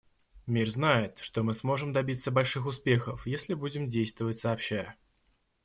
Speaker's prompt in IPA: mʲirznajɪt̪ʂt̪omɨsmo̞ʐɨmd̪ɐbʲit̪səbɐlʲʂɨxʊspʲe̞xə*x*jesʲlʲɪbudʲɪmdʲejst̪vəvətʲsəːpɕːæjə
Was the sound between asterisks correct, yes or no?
no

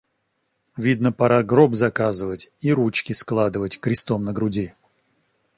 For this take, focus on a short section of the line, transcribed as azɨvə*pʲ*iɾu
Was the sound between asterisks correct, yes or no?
no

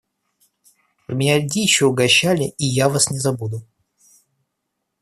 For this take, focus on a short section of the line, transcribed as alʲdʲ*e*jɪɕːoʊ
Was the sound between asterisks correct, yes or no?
no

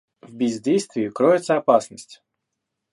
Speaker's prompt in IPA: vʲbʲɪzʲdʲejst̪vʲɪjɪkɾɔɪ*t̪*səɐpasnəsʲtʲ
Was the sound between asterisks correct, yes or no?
yes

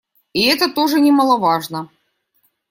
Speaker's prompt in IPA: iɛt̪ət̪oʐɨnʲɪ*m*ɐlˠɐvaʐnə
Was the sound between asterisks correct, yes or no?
yes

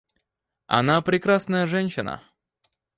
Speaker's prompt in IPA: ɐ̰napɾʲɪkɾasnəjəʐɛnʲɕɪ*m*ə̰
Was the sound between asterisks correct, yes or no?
no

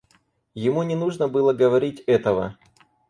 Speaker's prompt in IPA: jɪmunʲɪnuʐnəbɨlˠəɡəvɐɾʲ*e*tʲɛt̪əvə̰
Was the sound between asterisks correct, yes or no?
no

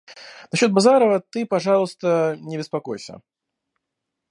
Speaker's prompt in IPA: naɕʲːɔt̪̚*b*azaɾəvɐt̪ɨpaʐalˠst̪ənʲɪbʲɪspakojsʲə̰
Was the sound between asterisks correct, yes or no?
yes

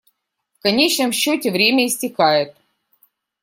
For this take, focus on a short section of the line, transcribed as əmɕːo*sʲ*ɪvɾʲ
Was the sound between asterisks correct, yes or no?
no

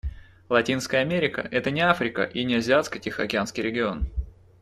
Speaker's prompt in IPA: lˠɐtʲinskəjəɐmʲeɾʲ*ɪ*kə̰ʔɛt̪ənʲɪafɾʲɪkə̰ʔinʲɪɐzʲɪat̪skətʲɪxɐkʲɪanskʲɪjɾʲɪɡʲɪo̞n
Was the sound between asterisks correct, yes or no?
yes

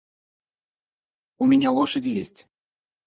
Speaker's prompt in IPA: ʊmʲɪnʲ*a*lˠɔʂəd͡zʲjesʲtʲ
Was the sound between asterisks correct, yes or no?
yes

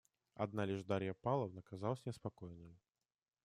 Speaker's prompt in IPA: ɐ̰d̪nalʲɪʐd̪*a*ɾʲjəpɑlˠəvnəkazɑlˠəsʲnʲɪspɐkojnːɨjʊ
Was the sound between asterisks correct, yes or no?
yes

